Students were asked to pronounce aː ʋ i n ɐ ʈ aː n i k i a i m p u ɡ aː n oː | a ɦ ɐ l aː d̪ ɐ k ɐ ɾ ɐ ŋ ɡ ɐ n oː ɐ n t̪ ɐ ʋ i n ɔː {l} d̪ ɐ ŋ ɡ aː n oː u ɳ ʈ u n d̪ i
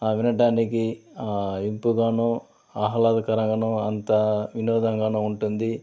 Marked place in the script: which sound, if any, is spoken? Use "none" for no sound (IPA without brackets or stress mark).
none